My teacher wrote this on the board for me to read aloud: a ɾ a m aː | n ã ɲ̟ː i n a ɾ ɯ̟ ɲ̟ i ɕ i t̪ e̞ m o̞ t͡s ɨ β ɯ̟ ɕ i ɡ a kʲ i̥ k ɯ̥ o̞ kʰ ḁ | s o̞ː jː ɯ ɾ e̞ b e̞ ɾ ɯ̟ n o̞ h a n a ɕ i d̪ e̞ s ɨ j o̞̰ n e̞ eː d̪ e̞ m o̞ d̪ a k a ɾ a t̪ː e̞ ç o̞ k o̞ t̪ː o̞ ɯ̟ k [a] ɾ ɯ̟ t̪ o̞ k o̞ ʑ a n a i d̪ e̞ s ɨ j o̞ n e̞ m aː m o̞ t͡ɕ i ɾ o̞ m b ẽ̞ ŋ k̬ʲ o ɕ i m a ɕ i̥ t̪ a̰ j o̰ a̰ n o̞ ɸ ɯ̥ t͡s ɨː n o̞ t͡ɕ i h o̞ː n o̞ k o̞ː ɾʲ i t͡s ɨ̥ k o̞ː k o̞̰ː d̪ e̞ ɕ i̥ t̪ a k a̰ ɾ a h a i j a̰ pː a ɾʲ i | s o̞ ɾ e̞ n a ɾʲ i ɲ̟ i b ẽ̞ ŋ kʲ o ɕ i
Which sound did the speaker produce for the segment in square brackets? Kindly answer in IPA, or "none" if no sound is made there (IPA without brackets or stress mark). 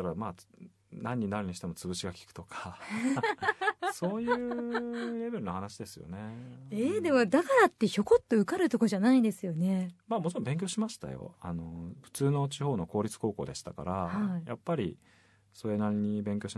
a